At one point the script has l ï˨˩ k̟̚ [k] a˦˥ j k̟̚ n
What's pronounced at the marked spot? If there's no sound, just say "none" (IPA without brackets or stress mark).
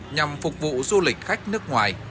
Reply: x